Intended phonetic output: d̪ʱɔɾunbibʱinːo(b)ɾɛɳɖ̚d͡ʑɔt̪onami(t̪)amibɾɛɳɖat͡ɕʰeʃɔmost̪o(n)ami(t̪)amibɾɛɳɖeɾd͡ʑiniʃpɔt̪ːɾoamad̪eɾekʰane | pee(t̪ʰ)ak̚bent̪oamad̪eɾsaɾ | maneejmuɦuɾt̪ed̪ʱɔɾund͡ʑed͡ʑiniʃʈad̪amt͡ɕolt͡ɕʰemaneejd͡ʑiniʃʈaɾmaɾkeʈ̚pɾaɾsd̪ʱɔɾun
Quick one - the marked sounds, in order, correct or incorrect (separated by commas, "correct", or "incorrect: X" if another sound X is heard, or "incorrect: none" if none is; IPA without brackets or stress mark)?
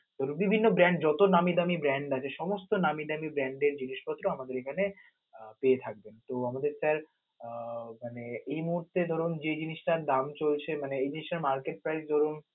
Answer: correct, incorrect: d̪, correct, incorrect: d̪, correct